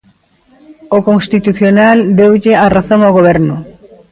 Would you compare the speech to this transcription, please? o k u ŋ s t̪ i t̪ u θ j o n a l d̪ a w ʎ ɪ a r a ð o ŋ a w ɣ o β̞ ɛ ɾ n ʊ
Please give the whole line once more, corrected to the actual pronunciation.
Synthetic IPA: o k o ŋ s t̪ i t̪ u θ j o n a l d̪ e w ʎ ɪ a r a θ o ŋ a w ɣ o β̞ ɛ ɾ n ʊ